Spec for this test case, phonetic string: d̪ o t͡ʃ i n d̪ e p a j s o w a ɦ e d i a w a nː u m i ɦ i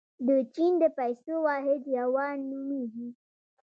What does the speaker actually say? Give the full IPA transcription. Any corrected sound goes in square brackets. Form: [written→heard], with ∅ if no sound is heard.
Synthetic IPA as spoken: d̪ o t͡ʃ i n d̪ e p a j s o w a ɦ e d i a w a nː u m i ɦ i